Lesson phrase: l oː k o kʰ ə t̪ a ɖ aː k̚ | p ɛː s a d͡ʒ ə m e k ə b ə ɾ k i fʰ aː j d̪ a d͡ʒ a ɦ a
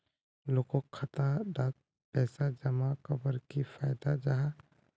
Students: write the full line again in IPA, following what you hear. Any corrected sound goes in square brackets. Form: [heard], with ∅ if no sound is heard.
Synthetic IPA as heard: l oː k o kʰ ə t̪ a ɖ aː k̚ | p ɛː s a d͡ʒ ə m [a] k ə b ə ɾ k i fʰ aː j d̪ a d͡ʒ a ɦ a